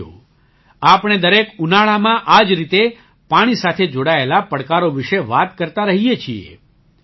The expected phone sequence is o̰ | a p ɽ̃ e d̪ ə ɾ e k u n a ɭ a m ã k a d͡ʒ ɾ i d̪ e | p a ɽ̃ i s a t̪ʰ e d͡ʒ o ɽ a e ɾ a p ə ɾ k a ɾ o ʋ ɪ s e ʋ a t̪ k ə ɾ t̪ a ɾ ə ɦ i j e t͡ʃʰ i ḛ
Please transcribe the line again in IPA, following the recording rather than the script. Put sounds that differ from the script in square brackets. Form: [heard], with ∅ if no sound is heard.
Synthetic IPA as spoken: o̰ | a p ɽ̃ e d̪ ə ɾ e k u n a ɭ a m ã [ʔ] a d͡ʒ ɾ i [t̪] e | p a ɽ̃ i s a t̪ʰ e d͡ʒ o ɽ a e [l] a p ə [ɽ] k a ɾ o ʋ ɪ [ʃ] e ʋ a t̪ k ə ɾ t̪ a ɾ ə ɦ i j e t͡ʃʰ i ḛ